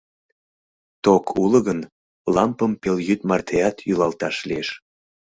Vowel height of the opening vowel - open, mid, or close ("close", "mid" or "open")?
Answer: mid